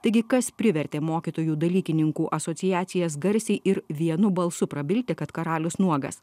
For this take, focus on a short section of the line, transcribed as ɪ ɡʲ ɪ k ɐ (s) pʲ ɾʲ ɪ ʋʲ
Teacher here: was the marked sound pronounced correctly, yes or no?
yes